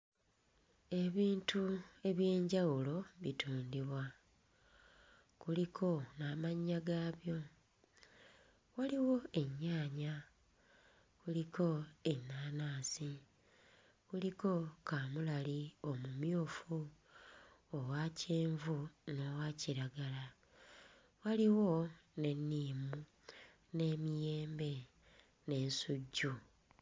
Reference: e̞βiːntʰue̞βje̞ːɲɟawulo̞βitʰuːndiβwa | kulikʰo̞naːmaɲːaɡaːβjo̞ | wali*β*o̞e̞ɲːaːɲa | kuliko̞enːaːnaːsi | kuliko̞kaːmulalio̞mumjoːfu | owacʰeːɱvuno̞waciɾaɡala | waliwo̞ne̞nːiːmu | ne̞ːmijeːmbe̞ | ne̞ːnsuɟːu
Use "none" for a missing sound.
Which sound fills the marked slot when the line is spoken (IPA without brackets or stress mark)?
w